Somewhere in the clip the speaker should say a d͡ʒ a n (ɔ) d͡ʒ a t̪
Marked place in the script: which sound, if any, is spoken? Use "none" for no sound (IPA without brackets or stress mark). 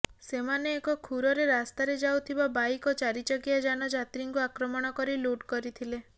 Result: ɔ